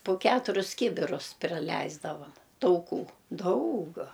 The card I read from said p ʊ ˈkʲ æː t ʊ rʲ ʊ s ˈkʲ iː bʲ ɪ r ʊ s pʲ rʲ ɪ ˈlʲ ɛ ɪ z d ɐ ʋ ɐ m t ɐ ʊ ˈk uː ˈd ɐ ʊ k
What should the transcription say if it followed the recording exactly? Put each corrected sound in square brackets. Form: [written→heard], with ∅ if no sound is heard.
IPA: p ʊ ˈkʲ æː t ʊ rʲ ʊ s ˈkʲ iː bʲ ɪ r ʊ s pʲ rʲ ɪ ˈlʲ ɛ ɪ z d ɐ ʋ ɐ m t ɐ ʊ ˈk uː ˈd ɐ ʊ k